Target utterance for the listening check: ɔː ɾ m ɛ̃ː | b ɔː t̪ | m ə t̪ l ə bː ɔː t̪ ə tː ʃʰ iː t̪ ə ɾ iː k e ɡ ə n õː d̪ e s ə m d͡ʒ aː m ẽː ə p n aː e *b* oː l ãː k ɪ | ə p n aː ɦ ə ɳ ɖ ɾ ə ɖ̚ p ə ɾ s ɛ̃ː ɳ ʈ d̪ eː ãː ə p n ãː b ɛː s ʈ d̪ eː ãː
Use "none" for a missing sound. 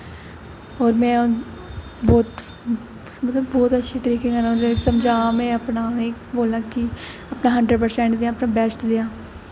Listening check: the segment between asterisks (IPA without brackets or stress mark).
b